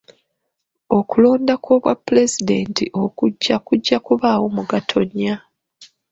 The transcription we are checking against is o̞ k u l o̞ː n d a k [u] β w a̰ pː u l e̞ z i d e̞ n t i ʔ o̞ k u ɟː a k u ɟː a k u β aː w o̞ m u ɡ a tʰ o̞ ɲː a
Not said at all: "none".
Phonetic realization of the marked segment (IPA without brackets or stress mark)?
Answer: o